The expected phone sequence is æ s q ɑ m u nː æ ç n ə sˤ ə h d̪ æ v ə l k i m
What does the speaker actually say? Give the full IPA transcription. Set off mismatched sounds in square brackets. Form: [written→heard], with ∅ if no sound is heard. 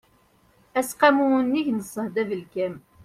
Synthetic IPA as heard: æ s q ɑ m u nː [æ→i] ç n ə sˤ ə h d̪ æ v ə l k [i→æ] m

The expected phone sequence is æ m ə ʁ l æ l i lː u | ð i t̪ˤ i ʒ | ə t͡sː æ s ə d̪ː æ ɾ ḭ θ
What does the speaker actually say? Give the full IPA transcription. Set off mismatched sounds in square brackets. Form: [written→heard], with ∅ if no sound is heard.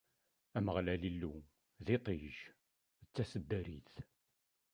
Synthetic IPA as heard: æ m ə ʁ l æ l i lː u | ð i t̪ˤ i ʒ | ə t͡sː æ s ə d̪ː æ ɾ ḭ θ

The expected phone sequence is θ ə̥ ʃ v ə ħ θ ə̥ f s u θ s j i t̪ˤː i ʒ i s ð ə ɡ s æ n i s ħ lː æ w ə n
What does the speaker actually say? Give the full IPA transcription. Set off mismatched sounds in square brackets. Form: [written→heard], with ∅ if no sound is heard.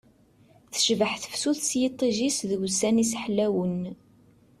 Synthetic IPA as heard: θ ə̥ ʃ v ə ħ θ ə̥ f s u θ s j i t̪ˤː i ʒ i s ð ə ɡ s æ n i s ħ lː æ w ə n

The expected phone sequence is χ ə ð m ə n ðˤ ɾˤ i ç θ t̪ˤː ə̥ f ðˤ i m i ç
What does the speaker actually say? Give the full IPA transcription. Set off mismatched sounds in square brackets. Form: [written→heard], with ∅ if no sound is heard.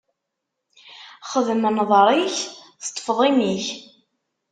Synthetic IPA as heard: χ ə ð m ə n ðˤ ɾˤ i ç θ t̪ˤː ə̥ f ðˤ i m i ç

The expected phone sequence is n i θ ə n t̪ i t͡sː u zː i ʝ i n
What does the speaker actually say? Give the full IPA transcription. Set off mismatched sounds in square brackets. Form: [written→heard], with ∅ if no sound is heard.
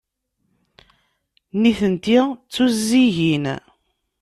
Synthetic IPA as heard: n i θ ə n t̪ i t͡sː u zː i ʝ i n

